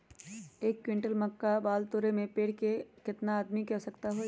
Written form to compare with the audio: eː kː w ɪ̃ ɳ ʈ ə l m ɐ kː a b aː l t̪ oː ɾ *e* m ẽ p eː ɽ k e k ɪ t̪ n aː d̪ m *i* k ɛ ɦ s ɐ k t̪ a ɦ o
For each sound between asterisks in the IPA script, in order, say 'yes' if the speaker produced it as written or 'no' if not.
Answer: yes, yes

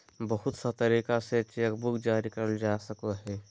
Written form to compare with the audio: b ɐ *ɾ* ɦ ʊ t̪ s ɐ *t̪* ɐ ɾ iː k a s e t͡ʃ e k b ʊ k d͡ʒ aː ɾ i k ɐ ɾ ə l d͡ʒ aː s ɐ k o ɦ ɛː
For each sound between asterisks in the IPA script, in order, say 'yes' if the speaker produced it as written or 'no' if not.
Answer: no, yes

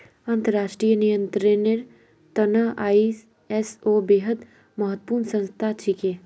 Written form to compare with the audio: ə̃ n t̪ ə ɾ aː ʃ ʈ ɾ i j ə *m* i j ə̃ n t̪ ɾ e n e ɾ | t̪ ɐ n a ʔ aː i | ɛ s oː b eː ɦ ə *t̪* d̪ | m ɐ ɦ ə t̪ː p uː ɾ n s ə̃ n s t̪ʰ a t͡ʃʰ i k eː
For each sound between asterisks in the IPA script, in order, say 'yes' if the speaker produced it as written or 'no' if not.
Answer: no, no

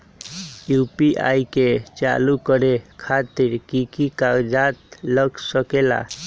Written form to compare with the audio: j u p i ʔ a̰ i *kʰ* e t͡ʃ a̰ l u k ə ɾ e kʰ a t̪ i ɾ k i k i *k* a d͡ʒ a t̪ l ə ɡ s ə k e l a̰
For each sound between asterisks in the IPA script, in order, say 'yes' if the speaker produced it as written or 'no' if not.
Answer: no, yes

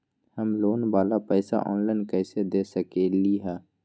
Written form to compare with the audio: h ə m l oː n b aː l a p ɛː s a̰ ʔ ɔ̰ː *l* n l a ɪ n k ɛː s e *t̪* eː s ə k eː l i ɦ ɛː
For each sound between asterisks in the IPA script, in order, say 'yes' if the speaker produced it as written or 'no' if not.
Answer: no, no

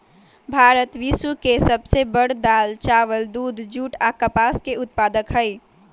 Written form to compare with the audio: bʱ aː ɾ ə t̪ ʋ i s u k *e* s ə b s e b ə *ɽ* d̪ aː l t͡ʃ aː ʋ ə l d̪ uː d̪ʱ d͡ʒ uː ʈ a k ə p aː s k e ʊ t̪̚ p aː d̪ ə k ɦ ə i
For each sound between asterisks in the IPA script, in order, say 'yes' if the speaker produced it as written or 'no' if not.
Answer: yes, yes

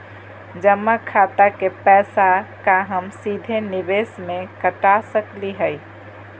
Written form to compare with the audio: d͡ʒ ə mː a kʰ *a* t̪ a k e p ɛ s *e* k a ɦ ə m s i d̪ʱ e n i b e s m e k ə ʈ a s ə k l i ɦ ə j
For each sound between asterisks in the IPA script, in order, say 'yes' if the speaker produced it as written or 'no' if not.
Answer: yes, no

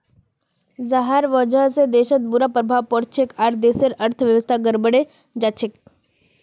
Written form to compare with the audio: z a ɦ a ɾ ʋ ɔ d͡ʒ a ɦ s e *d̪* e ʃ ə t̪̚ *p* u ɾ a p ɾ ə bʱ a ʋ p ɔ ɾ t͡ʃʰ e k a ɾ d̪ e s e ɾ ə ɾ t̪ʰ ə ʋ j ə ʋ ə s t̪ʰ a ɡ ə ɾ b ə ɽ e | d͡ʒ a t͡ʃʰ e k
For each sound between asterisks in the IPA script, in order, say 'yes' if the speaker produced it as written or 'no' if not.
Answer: yes, no

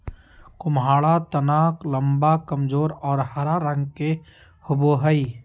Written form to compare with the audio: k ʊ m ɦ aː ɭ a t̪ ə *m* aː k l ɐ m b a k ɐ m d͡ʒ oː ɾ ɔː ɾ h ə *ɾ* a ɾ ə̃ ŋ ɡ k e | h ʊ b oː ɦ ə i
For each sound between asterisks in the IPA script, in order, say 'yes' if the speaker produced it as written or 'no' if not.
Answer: no, yes

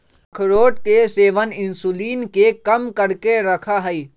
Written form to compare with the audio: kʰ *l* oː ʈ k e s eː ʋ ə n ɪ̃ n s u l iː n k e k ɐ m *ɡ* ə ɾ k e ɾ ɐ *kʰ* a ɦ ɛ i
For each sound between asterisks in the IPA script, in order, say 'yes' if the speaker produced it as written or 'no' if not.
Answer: no, no, yes

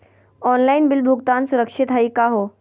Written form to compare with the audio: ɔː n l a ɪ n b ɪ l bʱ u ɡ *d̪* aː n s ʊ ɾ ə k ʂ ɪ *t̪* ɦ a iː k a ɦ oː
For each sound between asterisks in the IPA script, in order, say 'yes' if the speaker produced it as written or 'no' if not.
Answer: no, yes

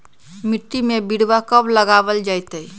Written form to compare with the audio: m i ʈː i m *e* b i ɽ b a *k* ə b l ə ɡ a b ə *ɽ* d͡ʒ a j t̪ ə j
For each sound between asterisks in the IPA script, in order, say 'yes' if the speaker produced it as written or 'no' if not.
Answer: yes, yes, no

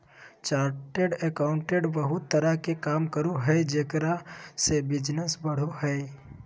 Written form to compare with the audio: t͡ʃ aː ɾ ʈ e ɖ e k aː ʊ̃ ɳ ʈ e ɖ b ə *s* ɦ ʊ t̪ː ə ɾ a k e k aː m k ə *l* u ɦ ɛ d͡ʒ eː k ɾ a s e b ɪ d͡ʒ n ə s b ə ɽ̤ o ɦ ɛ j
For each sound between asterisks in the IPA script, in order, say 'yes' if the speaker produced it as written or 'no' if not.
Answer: no, no

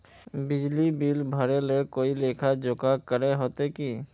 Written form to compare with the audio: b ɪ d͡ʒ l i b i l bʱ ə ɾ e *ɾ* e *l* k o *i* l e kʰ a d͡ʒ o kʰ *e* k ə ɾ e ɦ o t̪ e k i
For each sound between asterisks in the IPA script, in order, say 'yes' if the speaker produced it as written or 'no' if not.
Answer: no, no, yes, no

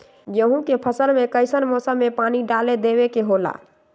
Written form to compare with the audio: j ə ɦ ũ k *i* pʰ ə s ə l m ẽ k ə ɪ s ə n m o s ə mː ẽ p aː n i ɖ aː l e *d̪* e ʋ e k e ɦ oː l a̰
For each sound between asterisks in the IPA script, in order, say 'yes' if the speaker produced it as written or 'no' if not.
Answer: no, yes

